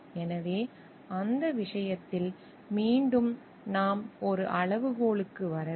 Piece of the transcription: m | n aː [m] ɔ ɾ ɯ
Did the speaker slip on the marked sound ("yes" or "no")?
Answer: no